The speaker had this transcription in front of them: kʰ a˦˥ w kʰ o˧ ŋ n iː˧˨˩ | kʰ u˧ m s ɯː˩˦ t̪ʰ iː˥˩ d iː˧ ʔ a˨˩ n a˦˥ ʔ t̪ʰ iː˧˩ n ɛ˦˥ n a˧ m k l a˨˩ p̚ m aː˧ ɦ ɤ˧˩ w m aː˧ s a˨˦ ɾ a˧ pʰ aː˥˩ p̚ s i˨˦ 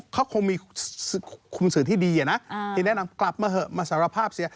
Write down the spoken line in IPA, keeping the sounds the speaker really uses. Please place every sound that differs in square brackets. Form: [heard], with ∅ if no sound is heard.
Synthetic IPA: kʰ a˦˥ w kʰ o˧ ŋ [m] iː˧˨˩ | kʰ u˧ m s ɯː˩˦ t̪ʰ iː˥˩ d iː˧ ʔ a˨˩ n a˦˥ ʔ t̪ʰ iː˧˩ n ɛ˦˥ n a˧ m k l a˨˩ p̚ m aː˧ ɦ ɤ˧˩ [∅] m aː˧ s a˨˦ ɾ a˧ pʰ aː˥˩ p̚ s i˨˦